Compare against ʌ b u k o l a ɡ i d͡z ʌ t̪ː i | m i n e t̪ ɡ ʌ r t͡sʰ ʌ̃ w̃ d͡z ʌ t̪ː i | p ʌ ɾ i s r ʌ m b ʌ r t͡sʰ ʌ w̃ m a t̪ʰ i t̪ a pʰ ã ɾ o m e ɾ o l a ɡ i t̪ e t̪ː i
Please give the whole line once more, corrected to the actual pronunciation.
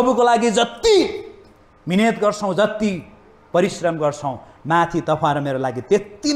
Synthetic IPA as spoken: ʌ b u k o l a ɡ i d͡z ʌ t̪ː i | m i n e t̪ ɡ ʌ r t͡sʰ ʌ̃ w̃ d͡z ʌ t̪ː i | p ʌ ɾ i s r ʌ m ɡ ʌ r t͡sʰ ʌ w̃ m a t̪ʰ i t̪ ʌ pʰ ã ɾ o m e ɾ o l a ɡ i t̪ e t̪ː i